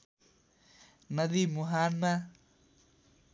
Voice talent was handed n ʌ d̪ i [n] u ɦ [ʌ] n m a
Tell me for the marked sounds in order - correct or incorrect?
incorrect, incorrect

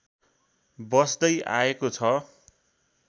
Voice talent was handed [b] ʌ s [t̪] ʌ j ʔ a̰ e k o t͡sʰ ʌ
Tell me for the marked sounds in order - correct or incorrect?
correct, incorrect

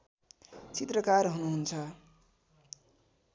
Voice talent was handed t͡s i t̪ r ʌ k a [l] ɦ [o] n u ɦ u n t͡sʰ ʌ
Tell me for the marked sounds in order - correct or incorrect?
incorrect, incorrect

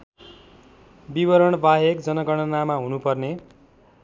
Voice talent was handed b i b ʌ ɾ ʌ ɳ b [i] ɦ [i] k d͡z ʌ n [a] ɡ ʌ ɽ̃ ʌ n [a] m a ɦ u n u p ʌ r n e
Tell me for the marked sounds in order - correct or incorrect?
incorrect, incorrect, incorrect, correct

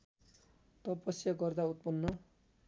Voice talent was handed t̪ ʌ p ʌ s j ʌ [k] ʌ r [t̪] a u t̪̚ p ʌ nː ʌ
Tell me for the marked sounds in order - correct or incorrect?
incorrect, incorrect

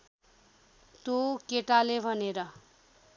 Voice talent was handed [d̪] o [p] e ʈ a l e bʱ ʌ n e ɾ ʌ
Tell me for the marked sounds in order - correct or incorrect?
incorrect, incorrect

